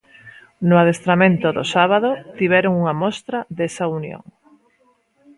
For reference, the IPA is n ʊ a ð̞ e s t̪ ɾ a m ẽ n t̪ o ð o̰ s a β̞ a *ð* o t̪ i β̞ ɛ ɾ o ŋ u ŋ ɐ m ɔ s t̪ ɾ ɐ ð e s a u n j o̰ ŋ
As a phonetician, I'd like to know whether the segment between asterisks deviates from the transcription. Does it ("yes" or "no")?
no